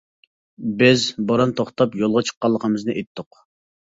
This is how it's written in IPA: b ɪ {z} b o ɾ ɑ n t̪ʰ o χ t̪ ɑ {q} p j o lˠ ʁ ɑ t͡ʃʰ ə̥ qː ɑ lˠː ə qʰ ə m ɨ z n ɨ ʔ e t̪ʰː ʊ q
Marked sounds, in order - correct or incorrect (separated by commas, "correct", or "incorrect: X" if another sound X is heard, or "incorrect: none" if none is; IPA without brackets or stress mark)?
correct, incorrect: none